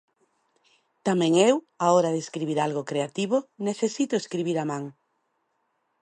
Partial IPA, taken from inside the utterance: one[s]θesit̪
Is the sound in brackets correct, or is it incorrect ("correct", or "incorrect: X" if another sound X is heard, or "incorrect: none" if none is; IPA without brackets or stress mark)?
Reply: incorrect: none